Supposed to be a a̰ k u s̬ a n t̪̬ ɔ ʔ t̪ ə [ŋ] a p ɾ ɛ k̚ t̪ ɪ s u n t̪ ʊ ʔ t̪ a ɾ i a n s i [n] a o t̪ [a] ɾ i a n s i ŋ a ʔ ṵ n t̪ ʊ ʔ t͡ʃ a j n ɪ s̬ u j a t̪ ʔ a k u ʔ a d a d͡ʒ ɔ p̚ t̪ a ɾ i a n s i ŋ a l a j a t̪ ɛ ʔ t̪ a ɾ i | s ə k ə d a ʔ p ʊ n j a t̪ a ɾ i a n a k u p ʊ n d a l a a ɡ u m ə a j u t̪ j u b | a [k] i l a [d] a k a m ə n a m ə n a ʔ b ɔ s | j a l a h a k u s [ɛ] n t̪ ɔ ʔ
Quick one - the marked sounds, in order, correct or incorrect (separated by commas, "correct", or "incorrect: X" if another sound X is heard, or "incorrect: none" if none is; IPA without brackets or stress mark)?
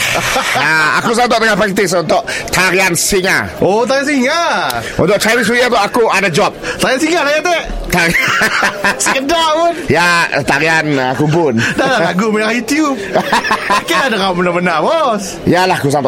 correct, incorrect: ŋ, correct, correct, correct, incorrect: a